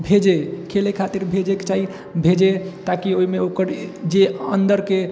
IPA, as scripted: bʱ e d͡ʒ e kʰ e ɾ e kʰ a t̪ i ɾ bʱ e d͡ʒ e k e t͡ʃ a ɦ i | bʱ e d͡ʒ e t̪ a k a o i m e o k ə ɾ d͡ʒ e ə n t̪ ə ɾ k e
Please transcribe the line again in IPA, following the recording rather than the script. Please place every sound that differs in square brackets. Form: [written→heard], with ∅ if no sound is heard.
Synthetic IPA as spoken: bʱ e d͡ʒ e kʰ e [ɾ→l] e kʰ a t̪ i ɾ bʱ e d͡ʒ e k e t͡ʃ a ɦ i | bʱ e d͡ʒ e t̪ a k [a→i] o i m e o k ə ɾ d͡ʒ e ə n [t̪→d̪] ə ɾ k e